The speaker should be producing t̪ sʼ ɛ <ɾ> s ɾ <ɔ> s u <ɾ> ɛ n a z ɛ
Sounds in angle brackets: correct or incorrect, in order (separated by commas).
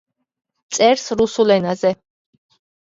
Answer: correct, incorrect, incorrect